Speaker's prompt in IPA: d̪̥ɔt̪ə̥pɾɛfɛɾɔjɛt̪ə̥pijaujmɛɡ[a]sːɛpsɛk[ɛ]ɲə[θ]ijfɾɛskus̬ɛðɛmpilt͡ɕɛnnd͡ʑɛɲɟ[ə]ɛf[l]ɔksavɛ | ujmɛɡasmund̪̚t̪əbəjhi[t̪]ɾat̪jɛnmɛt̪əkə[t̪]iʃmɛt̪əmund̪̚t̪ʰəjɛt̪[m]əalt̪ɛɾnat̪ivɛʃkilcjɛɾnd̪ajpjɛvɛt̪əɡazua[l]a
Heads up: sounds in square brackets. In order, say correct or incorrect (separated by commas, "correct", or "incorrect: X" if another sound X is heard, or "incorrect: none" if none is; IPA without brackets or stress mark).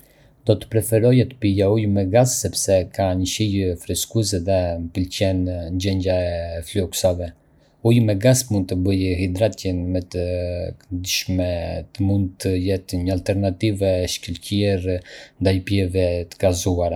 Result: correct, incorrect: a, incorrect: ʃ, incorrect: a, correct, incorrect: d̪, incorrect: d̪, incorrect: ɲ, incorrect: ɾ